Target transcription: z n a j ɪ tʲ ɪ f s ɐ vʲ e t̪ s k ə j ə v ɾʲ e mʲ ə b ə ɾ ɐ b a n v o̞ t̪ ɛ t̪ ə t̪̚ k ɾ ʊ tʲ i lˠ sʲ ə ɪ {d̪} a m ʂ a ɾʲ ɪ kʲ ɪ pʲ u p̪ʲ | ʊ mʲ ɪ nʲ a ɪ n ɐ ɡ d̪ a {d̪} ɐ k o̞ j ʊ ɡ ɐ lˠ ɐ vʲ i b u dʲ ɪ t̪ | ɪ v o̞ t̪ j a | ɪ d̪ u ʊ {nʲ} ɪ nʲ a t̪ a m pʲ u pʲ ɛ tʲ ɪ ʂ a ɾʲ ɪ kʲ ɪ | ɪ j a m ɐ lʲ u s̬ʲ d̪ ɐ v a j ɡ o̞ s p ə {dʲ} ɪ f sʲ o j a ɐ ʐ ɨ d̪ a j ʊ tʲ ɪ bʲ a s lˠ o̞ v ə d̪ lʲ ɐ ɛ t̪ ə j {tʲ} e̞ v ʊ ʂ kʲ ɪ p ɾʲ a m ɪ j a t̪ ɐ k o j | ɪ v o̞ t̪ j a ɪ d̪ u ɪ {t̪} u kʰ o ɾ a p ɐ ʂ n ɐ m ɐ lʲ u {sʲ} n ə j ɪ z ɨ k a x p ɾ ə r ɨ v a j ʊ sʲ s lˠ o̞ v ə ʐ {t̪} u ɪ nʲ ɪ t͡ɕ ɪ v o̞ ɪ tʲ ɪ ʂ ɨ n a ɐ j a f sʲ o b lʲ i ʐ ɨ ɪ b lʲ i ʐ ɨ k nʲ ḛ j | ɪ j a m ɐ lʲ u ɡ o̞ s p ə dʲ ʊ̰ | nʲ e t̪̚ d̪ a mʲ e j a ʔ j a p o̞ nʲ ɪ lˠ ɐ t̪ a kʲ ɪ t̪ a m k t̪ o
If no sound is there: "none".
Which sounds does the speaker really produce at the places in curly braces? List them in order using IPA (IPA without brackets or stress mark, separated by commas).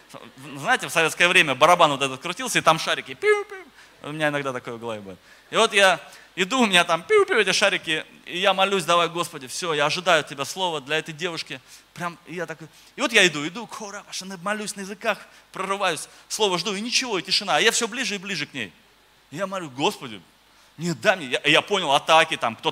t̪, t̪, mʲ, dʲ, dʲ, d̪, sʲ, d̪